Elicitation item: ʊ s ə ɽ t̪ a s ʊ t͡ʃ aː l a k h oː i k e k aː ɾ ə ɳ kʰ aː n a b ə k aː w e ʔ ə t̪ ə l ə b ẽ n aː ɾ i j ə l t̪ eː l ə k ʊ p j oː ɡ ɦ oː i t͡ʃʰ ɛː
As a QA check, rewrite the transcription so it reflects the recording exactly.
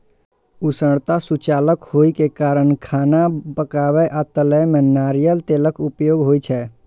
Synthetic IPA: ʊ s ə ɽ t̪ a s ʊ t͡ʃ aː l ə k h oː i k e k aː ɾ ə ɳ kʰ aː n a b ə k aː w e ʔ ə t̪ ə l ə m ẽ n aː ɾ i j ə l t̪ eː l ə k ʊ p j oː ɡ ɦ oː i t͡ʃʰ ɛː